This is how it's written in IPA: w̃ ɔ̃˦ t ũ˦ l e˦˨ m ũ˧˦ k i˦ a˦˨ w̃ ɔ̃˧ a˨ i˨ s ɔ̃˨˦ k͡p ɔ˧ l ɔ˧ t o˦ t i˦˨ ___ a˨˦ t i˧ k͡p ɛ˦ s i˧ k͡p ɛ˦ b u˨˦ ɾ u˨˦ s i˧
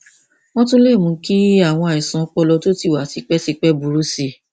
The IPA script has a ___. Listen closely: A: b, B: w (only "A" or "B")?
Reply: B